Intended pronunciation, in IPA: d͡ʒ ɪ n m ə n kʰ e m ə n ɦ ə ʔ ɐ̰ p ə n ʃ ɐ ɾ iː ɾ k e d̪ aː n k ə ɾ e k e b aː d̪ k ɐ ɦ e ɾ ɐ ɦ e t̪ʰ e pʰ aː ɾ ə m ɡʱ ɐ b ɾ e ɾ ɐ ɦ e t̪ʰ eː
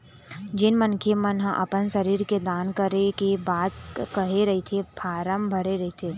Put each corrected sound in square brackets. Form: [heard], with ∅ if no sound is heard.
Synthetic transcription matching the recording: d͡ʒ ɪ n m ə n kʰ e m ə n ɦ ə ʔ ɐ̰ p ə n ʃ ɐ ɾ iː ɾ k e d̪ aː n k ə ɾ e k e b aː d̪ k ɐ ɦ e ɾ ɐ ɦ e t̪ʰ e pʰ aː ɾ ə m [bʱ] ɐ [∅] ɾ e ɾ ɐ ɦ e t̪ʰ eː